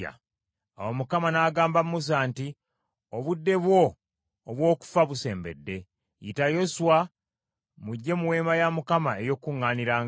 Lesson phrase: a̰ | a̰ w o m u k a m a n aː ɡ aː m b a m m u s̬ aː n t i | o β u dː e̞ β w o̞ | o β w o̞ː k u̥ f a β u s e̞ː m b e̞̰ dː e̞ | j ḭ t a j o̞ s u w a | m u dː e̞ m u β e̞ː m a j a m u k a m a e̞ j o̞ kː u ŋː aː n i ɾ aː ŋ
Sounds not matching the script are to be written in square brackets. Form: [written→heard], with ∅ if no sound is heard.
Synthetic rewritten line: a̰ | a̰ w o m u k a m a n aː ɡ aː m b a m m u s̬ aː n t i | o β u dː e̞ β w o̞ | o β w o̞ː k u̥ f a β u s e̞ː m b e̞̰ dː e̞ | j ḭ t a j o̞ s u w a | m u [dː→ɟː] e̞ m u [β→w] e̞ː m a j a m u k a m a e̞ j o̞ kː u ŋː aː n i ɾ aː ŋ